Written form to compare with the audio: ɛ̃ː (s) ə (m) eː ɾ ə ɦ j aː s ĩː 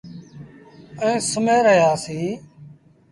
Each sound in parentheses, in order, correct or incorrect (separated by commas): correct, correct